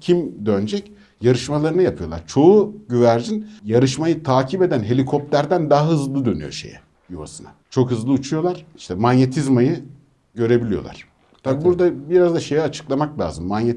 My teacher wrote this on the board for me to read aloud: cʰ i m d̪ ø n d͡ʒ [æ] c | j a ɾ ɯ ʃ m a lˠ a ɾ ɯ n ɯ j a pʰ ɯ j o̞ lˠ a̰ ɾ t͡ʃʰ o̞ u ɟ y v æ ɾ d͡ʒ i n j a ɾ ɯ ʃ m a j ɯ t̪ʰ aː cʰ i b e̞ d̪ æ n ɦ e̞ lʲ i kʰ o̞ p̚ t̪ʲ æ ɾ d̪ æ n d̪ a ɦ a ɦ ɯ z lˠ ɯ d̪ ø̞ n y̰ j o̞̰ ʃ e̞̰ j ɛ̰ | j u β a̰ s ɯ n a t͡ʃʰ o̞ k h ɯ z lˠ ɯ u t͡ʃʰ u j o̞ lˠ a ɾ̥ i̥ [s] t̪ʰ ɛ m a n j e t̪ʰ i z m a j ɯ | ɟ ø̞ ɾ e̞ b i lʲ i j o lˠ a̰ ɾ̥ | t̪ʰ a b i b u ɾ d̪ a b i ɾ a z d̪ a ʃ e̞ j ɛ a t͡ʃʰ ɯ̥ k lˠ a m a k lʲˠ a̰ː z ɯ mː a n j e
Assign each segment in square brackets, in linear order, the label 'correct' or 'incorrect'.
incorrect: ɛ, incorrect: ʃ

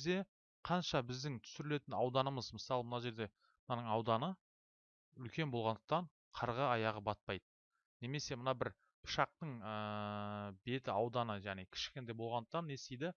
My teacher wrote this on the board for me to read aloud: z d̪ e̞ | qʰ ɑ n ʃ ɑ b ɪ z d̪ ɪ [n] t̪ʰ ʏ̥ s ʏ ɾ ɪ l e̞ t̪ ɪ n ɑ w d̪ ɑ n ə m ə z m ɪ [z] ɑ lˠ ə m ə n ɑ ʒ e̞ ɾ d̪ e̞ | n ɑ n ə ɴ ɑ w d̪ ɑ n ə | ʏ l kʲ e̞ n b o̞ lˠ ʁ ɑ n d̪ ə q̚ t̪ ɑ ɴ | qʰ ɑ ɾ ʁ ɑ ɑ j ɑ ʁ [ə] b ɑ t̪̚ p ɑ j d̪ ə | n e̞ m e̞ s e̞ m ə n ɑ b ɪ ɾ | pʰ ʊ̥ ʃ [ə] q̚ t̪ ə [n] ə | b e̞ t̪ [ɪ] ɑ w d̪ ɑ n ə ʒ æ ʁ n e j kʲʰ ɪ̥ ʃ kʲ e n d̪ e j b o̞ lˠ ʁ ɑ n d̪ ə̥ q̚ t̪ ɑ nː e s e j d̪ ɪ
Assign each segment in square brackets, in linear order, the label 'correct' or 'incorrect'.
incorrect: ŋ, incorrect: s, correct, incorrect: ɑ, incorrect: ɴ, correct

